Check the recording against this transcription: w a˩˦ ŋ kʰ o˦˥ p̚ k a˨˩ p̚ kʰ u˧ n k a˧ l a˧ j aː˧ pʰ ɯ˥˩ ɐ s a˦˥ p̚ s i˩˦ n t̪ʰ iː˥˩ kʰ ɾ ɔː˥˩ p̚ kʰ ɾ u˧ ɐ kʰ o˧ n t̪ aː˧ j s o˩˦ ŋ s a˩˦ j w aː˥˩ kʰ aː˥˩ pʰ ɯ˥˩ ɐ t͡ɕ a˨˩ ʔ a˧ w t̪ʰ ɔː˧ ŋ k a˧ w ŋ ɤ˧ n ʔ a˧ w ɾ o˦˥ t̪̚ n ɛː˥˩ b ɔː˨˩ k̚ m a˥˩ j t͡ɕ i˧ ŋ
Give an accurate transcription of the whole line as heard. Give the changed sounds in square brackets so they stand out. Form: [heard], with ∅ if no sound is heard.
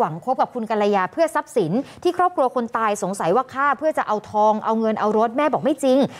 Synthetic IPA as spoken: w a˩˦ ŋ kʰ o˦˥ p̚ k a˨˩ p̚ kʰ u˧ n k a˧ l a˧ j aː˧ pʰ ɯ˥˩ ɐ s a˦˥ p̚ s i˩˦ n t̪ʰ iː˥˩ kʰ ɾ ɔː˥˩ p̚ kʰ ɾ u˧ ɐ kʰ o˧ n t̪ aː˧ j s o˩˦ ŋ s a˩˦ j w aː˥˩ kʰ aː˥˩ pʰ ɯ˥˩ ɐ t͡ɕ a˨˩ ʔ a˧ w t̪ʰ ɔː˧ ŋ [ʔ] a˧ w ŋ ɤ˧ n ʔ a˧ w ɾ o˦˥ t̪̚ [m] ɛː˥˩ b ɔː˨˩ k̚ m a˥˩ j t͡ɕ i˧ ŋ